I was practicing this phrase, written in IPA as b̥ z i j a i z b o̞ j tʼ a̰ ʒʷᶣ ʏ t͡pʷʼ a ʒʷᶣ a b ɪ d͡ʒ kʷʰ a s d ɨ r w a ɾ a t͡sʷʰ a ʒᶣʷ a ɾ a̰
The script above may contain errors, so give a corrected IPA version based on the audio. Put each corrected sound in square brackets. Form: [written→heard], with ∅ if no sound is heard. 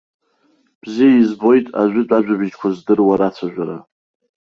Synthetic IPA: b̥ z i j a i z b o̞ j tʼ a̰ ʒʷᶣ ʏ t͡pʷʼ a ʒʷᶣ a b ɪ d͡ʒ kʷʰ a [s→z] d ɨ r w a ɾ a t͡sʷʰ a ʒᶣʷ a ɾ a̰